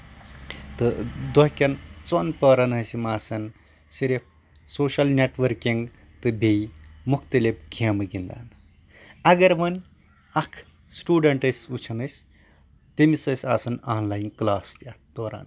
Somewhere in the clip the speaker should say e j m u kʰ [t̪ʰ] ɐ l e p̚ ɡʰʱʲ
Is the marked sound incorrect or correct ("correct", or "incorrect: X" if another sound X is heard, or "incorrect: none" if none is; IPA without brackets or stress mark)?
incorrect: t̪